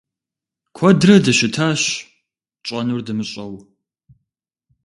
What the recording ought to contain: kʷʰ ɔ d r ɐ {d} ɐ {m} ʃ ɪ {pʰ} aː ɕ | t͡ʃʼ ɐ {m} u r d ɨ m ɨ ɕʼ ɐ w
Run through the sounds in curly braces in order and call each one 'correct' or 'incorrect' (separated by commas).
correct, incorrect, incorrect, incorrect